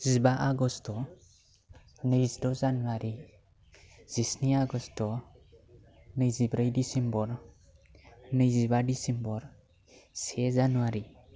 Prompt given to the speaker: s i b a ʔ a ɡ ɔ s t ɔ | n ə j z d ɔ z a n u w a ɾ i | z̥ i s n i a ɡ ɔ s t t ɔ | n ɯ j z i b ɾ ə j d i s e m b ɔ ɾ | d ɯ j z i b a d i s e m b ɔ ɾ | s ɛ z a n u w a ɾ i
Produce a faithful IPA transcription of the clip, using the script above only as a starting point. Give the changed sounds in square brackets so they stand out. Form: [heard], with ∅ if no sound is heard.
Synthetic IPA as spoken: [z] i b a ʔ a ɡ ɔ s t ɔ | n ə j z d ɔ z a n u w a ɾ i | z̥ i s n i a ɡ ɔ s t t ɔ | n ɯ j z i b ɾ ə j d i s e m b ɔ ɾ | [n] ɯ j z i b a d i s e m b ɔ ɾ | s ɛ z a n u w a ɾ i